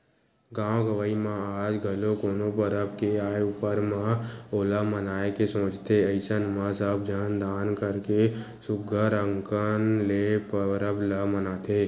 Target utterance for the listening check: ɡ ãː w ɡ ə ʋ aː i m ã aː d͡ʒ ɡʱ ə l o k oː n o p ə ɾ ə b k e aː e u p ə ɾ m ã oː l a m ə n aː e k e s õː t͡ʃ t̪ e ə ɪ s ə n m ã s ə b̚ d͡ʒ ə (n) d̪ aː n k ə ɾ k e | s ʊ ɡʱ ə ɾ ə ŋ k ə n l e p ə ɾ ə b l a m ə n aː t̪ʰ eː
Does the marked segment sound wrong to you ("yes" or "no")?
no